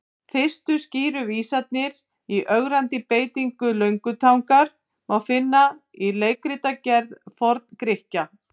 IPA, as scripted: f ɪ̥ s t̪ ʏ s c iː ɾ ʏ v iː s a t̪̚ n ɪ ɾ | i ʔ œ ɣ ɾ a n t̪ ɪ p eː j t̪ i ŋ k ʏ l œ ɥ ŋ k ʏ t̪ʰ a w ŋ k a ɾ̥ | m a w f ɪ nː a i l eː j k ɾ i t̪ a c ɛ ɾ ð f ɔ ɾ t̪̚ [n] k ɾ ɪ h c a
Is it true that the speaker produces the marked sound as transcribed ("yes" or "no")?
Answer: yes